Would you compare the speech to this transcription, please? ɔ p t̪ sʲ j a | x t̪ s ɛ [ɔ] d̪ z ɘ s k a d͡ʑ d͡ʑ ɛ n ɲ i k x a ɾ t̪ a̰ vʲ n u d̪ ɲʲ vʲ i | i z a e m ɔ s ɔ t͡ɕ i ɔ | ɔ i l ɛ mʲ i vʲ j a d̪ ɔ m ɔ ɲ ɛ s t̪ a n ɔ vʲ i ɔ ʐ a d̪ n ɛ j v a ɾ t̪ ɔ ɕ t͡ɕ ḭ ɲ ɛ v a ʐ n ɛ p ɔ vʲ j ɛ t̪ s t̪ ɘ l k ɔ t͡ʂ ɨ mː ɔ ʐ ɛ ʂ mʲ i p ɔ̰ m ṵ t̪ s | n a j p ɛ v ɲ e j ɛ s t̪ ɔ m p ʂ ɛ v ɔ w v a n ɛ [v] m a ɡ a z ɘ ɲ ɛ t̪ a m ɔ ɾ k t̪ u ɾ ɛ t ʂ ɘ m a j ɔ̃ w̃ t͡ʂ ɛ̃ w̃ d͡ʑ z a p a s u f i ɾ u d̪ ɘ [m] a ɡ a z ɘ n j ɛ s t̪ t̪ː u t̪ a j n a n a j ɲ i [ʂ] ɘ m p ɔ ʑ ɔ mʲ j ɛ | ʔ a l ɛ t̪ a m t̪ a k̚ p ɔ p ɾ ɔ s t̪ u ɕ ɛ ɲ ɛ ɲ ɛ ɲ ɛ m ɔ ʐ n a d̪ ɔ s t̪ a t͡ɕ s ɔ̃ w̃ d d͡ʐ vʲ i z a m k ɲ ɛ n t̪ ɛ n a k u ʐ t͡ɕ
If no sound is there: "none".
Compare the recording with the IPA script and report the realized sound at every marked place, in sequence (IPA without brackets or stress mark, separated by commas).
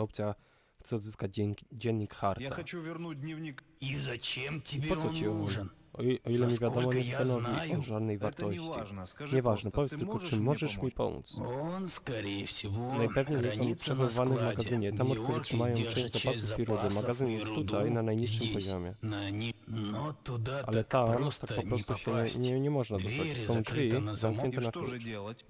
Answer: ɔ, v, m, ʂː